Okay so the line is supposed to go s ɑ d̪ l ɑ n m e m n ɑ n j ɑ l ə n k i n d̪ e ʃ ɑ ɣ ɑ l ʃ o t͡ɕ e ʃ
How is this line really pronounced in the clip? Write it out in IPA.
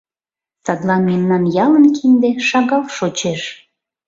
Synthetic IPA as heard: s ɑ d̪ l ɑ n m e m n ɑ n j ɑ l ə n k i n d̪ e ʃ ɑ ɣ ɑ l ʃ o t͡ɕ e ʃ